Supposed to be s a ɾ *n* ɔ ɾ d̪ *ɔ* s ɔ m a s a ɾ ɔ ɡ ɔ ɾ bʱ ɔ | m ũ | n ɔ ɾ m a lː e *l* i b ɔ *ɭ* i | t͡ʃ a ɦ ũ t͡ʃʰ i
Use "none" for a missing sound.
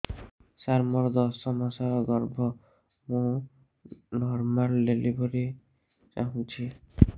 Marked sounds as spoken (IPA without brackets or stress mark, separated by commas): m, ɔ, l, ɾ